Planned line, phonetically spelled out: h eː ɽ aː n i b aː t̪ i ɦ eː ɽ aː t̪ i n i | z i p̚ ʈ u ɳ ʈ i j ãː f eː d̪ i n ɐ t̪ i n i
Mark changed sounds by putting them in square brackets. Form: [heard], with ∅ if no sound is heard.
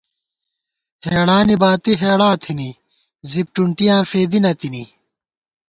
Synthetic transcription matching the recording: h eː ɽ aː n i b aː t̪ i ɦ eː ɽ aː [t̪ʰ] i n i | z i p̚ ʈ u ɳ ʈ i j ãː f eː d̪ i n ɐ t̪ i n i